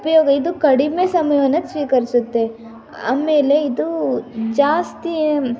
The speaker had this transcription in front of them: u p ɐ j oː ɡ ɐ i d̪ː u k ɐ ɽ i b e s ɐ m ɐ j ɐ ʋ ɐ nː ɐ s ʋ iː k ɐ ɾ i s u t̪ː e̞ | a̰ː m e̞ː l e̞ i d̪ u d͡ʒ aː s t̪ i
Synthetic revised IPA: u p ɐ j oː ɡ ɐ i d̪ u k ɐ ɽ i m e s ɐ m ɐ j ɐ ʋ ɐ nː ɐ s ʋ iː k ɐ ɾ i s u t̪ː e̞ | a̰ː m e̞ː l e̞ i d̪ u d͡ʒ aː s t̪ i

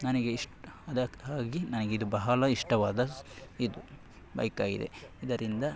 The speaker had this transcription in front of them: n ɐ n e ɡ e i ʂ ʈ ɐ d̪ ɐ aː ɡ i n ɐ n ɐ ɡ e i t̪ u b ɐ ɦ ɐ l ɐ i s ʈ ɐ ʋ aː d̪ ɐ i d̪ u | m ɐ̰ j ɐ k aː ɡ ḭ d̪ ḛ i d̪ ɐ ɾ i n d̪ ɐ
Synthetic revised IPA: n ɐ n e ɡ e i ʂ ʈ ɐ d̪ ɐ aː ɡ i n ɐ n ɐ ɡ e i d̪ u b ɐ ɦ ɐ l ɐ i ʂ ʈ ɐ ʋ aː d̪ ɐ i d̪ u | b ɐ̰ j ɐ k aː ɡ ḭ d̪ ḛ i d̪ ɐ ɾ i n d̪ ɐ

